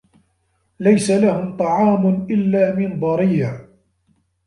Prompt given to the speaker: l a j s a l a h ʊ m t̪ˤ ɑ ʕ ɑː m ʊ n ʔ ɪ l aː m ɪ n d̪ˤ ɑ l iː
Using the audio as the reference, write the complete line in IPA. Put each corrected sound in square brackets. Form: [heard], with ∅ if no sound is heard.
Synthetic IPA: l a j s a l a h ʊ m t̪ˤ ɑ ʕ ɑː m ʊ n ʔ ɪ [lː] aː m ɪ n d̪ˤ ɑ [ɾ] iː